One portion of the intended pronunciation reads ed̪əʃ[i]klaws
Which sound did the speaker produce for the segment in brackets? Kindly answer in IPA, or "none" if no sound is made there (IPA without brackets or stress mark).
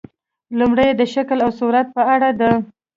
a